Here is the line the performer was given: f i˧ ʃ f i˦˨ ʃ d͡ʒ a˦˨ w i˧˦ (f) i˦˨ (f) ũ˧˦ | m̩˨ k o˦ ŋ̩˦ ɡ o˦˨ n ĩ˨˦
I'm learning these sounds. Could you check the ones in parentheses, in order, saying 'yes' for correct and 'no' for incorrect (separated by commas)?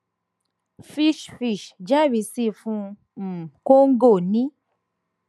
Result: no, yes